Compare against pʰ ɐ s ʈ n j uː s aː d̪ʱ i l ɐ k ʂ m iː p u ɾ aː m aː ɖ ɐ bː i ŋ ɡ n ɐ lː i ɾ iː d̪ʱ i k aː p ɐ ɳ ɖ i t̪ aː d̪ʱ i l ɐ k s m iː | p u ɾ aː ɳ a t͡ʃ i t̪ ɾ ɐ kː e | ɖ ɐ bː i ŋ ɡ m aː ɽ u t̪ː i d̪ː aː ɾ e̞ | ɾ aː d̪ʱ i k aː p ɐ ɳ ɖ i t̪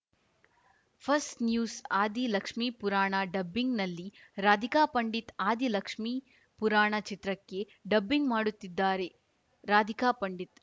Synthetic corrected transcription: pʰ ɐ s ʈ n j uː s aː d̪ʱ i l ɐ k ʂ m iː p u ɾ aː ɳ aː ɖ ɐ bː i ŋ ɡ n ɐ lː i ɾ aː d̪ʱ i k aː p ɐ ɳ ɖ i t̪ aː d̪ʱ i l ɐ k ʂ m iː | p u ɾ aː ɳ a t͡ʃ i t̪ ɾ ɐ kː e | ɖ ɐ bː i ŋ ɡ m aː ɽ u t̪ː i d̪ː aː ɾ e̞ | ɾ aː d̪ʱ i k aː p ɐ ɳ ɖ i t̪